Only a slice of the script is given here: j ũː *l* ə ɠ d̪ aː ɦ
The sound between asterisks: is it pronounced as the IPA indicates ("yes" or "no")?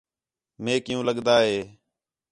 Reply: yes